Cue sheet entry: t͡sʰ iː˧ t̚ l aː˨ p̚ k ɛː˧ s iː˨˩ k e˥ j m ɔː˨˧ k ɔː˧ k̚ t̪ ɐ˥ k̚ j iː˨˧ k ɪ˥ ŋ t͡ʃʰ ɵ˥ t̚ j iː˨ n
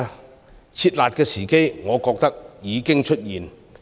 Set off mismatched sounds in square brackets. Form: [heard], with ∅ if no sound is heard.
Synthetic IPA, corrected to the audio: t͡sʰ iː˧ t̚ l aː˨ [t̚] k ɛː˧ s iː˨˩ k e˥ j [ŋ] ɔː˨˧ k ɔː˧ k̚ t̪ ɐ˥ k̚ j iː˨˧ k ɪ˥ ŋ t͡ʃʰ ɵ˥ t̚ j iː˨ n